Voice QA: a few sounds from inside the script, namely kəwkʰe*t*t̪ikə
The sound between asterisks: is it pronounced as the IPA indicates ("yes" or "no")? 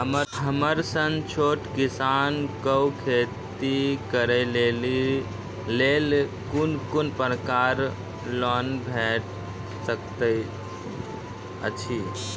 yes